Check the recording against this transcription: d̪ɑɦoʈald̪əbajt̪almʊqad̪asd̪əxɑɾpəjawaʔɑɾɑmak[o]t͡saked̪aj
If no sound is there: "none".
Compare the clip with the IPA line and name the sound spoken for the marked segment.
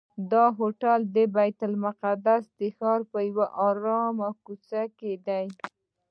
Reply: u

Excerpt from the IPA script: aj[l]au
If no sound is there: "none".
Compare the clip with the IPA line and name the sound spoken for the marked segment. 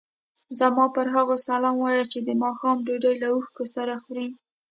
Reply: l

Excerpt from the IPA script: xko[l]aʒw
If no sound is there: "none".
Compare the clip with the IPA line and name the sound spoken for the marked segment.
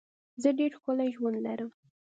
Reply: l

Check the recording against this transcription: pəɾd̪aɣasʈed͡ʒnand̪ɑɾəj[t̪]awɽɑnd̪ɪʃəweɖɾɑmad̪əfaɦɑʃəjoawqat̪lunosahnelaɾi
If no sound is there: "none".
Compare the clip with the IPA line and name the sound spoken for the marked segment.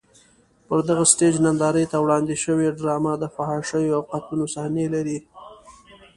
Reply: t̪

